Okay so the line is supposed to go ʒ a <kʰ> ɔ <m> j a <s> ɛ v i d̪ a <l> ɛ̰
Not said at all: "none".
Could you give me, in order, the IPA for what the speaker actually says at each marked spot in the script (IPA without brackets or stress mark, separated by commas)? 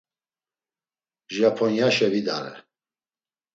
pʰ, n, ʃ, ɾ